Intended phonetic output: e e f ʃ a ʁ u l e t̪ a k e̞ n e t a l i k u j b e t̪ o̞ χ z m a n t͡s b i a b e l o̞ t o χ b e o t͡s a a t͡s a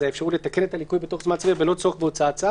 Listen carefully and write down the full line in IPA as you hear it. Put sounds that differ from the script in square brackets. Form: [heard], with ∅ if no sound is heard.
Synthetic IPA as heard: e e f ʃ a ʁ u l e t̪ a k e̞ n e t a l i k u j b e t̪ o̞ χ z m a n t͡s [v] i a b e l o̞ [t͡s] o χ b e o t͡s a a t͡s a